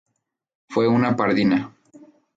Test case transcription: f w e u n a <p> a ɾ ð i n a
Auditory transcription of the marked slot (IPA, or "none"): p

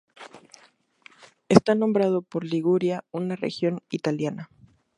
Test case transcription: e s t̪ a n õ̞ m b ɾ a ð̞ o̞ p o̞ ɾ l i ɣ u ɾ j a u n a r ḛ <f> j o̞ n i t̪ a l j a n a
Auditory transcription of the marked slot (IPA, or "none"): x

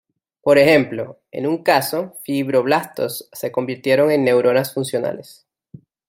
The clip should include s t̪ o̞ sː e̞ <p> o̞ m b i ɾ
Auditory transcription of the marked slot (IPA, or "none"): k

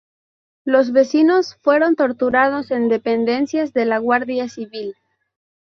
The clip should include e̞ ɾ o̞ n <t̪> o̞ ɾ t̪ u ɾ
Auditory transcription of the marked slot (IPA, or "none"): t̪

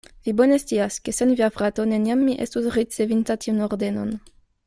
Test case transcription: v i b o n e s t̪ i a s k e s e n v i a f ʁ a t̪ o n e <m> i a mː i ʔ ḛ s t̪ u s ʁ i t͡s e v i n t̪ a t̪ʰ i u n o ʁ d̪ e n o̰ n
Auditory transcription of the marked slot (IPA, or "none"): n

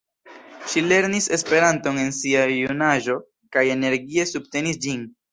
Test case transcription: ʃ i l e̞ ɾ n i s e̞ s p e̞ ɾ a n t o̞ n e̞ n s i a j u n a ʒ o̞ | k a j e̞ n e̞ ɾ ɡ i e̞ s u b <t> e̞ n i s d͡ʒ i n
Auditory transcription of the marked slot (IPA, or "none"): t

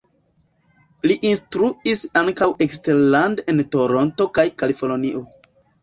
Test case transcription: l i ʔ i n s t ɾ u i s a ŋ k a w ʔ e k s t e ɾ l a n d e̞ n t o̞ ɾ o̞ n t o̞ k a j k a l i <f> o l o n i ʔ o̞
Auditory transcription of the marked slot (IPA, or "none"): f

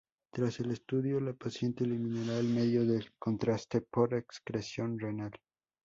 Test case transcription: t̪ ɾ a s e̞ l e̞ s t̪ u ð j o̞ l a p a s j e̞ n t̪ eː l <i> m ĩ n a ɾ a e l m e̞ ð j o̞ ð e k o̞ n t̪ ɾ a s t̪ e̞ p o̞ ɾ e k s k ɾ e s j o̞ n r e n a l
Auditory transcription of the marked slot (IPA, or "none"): i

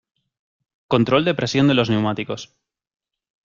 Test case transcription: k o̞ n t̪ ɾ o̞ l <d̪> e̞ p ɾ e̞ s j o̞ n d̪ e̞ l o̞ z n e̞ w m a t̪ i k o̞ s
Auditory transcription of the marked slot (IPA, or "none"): d̪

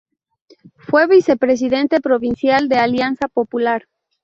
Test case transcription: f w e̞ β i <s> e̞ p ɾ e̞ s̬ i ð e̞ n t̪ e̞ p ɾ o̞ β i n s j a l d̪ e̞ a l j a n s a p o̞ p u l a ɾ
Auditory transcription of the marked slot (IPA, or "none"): s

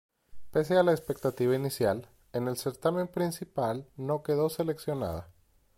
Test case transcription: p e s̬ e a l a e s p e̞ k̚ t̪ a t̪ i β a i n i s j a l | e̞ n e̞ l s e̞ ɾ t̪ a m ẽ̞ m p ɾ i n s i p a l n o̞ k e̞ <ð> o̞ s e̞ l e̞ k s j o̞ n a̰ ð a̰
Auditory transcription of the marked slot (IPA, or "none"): ð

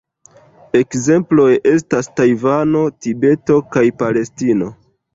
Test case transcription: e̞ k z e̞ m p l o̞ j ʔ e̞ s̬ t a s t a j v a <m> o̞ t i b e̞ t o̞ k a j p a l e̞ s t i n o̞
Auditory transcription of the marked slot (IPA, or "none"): n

